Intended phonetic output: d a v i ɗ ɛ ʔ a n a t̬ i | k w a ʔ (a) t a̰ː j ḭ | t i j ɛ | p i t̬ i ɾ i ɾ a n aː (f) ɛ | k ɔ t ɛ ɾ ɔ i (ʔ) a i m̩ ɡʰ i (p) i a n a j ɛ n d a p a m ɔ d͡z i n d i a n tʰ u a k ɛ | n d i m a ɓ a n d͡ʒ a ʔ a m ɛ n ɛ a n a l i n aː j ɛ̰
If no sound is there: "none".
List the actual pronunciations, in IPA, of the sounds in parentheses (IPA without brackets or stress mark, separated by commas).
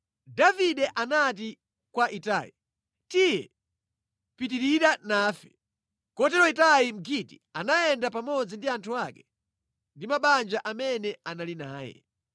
i, f, t, t